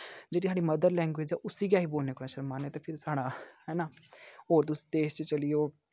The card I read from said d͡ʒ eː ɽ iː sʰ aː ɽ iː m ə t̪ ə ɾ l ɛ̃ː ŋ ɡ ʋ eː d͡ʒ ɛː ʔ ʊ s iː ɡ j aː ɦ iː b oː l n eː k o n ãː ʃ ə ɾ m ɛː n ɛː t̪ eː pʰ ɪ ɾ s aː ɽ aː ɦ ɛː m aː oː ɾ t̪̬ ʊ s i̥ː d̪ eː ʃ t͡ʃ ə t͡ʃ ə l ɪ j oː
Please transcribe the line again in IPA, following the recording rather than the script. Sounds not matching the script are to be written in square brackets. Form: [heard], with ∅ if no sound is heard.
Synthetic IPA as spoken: d͡ʒ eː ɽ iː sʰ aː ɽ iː m ə [d̪] ə ɾ l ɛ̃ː ŋ ɡ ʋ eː d͡ʒ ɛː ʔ ʊ s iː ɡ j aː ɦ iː b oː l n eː k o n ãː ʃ ə ɾ m [aː] n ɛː t̪ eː pʰ ɪ ɾ s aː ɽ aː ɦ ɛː [n] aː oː ɾ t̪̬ ʊ s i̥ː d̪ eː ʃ t͡ʃ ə t͡ʃ ə l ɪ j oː